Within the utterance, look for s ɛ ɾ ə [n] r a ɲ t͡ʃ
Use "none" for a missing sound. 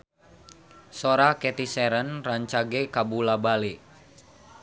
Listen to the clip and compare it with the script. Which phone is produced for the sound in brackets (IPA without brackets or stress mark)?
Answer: n